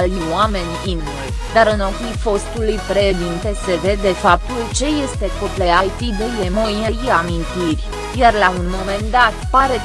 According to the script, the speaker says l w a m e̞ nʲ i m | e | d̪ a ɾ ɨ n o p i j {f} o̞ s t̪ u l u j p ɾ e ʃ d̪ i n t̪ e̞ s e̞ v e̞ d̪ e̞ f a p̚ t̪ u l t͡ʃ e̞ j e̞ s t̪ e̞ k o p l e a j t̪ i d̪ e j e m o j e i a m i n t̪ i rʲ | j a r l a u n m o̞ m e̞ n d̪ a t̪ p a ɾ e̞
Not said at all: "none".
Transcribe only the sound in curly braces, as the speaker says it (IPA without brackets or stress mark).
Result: f